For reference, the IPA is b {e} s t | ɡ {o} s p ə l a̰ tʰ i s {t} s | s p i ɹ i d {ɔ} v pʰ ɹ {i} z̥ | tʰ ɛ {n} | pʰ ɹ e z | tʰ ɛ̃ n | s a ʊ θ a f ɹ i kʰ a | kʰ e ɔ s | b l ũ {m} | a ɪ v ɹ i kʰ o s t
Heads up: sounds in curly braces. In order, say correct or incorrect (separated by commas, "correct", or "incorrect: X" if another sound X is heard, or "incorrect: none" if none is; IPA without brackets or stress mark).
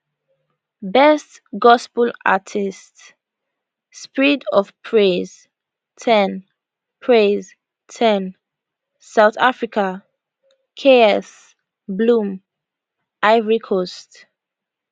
incorrect: ɛ, incorrect: ɔ, correct, correct, incorrect: e, correct, correct